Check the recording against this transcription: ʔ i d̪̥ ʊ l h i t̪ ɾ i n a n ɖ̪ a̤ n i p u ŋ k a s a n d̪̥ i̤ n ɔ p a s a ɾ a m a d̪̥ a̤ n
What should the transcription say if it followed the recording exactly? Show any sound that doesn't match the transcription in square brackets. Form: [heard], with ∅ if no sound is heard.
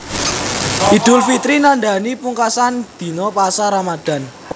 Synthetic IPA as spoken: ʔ i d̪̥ ʊ l [f] i t̪ ɾ i n a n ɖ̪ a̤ n i p u ŋ k a s a n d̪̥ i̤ n ɔ p a s a ɾ a m a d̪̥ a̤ n